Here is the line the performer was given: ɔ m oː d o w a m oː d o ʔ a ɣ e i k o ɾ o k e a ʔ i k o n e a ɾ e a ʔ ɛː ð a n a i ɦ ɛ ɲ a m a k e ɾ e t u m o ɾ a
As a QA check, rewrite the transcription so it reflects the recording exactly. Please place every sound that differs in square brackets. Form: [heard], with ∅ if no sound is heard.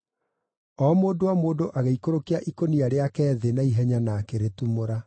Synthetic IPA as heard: ɔ m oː d o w a m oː d o ʔ a ɣ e i k o ɾ o k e a ʔ i k o n [i] a ɾ e a [k] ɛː ð [e] n a i ɦ ɛ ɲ a [n] a k e ɾ e t u m o ɾ a